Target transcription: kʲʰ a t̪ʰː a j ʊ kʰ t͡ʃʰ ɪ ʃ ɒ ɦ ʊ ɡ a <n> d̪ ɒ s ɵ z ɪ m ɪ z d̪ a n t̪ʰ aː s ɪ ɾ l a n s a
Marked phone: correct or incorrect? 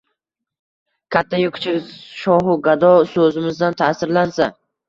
incorrect